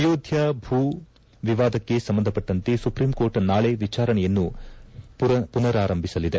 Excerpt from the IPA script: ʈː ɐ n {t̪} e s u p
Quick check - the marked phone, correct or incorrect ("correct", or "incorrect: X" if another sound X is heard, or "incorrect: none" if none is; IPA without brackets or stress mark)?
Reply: correct